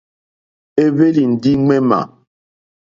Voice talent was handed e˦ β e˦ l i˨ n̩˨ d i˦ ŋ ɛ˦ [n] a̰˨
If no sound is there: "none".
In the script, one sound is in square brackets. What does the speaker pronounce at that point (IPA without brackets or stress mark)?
m